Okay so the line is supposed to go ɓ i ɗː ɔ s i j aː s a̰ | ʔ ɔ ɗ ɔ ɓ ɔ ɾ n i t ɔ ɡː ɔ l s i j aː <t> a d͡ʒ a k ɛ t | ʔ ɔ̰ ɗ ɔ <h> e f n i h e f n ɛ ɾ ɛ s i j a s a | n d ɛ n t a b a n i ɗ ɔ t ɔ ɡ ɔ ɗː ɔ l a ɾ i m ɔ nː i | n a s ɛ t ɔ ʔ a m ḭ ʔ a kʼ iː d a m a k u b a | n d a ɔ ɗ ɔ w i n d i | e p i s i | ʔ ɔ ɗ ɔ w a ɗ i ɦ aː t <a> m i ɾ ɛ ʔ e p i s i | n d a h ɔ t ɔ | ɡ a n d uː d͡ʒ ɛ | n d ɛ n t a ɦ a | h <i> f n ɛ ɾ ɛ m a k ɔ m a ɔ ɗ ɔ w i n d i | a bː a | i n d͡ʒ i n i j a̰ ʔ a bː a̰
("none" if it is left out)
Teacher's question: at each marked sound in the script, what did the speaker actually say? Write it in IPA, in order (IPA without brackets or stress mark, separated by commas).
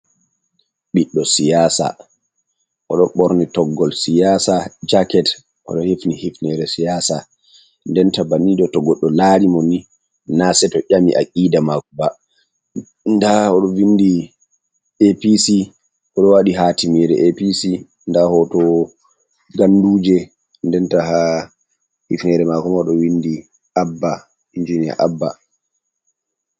s, h, i, i